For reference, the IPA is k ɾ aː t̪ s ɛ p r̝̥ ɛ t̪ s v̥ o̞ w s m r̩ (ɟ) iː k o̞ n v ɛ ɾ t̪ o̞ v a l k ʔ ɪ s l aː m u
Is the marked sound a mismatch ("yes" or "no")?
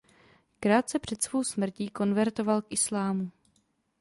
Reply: yes